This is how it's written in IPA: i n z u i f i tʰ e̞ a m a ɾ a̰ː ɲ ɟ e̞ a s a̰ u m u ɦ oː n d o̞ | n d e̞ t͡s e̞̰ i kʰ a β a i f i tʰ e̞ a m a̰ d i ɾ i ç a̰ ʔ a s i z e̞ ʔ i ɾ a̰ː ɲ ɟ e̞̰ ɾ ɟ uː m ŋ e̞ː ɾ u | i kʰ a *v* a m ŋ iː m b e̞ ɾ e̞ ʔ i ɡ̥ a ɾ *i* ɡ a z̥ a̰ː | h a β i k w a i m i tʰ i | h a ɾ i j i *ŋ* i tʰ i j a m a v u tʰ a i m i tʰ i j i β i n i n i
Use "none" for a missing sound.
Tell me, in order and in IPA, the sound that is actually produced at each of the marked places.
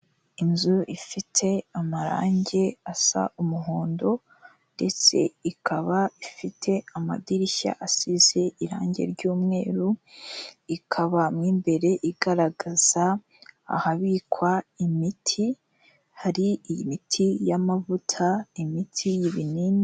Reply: β, a, m

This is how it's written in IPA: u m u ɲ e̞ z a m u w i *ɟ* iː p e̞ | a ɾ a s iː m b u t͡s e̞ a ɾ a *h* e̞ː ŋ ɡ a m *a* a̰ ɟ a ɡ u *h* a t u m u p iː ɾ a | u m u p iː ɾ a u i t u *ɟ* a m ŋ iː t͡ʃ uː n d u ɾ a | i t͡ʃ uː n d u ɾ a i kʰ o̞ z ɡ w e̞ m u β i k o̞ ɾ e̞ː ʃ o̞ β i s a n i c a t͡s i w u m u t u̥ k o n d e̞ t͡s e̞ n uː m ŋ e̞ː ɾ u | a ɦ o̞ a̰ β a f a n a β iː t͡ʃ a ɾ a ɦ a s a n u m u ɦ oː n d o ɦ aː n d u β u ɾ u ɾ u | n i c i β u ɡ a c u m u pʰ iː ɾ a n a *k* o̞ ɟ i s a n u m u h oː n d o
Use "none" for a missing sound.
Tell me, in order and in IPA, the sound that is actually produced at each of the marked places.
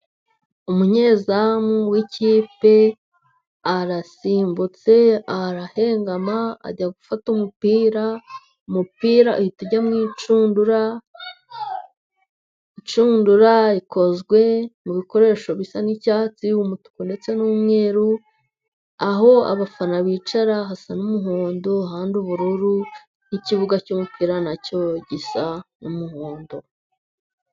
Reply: c, h, a, f, ɟ, c

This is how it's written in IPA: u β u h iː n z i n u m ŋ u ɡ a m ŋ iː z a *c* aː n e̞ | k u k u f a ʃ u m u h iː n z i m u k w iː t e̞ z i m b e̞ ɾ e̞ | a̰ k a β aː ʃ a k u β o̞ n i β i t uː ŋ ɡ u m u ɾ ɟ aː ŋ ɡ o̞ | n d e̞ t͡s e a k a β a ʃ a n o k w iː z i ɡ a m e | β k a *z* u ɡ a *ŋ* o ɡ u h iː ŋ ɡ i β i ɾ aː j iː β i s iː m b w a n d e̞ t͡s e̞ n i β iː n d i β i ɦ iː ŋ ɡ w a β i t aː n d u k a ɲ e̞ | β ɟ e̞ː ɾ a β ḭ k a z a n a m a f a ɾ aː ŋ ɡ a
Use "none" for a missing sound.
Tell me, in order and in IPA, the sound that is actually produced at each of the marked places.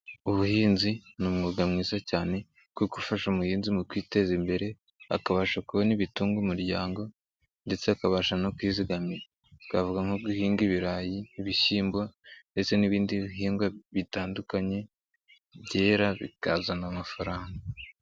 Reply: c, v, ŋ

